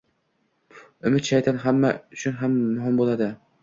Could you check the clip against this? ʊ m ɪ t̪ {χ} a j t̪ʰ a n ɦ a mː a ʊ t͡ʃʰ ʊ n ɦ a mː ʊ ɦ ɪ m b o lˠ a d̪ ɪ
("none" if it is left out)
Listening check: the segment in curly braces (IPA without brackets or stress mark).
ʃ